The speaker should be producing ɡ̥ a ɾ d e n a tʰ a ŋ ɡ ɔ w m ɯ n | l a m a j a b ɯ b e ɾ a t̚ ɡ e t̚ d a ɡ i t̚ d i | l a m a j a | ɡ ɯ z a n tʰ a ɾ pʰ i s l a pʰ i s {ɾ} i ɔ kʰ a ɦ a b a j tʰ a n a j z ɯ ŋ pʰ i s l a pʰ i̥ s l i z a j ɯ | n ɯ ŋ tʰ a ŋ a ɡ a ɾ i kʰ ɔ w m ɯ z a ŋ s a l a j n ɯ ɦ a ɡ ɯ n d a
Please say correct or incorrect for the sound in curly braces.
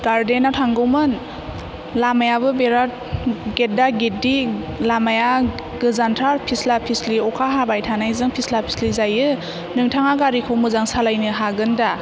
incorrect